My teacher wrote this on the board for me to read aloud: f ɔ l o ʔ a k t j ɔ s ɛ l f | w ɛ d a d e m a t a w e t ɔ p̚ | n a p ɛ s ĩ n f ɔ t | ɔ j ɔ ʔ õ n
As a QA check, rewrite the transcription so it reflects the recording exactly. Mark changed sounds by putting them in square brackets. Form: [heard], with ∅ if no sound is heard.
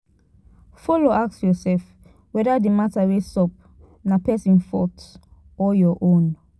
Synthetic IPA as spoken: f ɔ l o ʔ a k [s] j ɔ s ɛ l f | w ɛ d a d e m a t a w e [s] ɔ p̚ | n a p ɛ s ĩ n f ɔ t | ɔ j ɔ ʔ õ n